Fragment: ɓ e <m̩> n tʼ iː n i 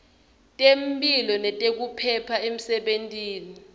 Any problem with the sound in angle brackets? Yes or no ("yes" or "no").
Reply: yes